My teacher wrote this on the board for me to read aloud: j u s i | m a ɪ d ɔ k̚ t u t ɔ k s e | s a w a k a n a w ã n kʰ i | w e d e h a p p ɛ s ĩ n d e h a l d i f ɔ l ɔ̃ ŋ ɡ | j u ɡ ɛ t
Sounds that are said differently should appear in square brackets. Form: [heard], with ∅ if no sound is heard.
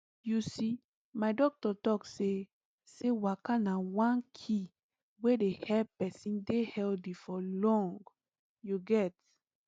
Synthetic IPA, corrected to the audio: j u s i | m a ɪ d ɔ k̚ t [ɔ] t ɔ k s e | s [e] w a k a n a w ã n kʰ i | w e d e h [ɛ] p p ɛ s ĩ n d e h [ɛ] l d i f ɔ l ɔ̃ ŋ ɡ | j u ɡ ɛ t